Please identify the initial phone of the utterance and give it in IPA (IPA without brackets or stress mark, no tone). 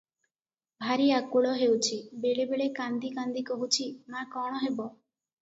bʱ